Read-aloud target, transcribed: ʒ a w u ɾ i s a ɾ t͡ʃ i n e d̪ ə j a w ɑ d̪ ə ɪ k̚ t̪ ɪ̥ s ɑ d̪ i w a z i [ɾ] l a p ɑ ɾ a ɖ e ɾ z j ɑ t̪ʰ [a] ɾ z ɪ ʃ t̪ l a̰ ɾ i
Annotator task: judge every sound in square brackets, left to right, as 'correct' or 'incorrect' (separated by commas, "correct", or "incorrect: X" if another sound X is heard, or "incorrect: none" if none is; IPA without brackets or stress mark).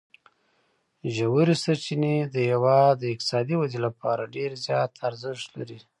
incorrect: none, correct